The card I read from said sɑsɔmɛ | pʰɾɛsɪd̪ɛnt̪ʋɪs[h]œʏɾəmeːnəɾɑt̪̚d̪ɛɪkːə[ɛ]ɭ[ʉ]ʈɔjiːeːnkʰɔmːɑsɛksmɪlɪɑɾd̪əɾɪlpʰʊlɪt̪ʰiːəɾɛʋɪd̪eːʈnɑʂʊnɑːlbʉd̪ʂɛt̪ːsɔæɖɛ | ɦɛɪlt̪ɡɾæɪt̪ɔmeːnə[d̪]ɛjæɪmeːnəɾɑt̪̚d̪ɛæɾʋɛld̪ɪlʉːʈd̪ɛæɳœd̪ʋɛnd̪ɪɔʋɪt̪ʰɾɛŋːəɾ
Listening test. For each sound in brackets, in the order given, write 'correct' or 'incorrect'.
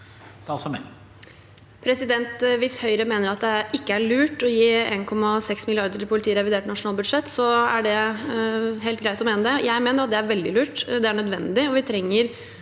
correct, incorrect: æ, incorrect: ʉː, correct

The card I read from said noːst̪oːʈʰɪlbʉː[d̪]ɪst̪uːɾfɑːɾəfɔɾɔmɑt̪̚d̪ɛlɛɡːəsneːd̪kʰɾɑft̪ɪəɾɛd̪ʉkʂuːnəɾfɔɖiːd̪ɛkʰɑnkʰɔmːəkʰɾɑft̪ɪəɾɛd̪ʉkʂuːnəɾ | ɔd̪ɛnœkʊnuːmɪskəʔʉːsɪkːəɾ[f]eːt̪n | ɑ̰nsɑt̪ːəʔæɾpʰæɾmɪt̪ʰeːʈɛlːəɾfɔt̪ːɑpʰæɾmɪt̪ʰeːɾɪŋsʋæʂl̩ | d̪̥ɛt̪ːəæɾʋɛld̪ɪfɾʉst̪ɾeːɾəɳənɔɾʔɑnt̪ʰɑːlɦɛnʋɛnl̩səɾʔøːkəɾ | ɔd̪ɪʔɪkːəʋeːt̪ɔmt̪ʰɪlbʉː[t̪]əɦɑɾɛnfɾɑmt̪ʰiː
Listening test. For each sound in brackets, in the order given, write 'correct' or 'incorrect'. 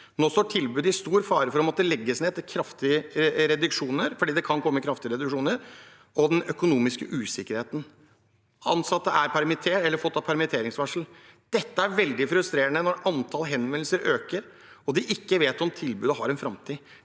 correct, incorrect: h, incorrect: d̪

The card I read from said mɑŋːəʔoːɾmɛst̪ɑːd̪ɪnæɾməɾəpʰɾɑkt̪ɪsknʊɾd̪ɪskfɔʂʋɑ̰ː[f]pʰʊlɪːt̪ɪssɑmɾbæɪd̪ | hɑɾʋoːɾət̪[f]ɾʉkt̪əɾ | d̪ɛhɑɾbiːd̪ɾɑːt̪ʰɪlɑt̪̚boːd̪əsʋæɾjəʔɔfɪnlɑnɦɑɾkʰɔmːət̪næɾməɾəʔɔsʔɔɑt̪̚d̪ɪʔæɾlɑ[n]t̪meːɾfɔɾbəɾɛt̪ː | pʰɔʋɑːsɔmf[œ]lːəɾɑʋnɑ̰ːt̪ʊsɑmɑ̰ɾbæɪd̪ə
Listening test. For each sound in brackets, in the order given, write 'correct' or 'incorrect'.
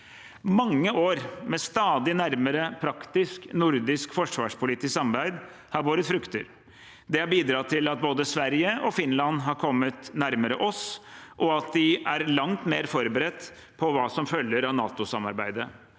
incorrect: ʂ, correct, incorrect: ŋ, correct

